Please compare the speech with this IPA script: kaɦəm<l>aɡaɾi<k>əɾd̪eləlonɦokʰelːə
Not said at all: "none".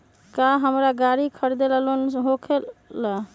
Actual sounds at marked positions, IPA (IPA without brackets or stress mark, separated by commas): ɾ, kʰ